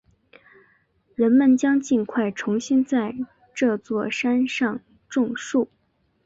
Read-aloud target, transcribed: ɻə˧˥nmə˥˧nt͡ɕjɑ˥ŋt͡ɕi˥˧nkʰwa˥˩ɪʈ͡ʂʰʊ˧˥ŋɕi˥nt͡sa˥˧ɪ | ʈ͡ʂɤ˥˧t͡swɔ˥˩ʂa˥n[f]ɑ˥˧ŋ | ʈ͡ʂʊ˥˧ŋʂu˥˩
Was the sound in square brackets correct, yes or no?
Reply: no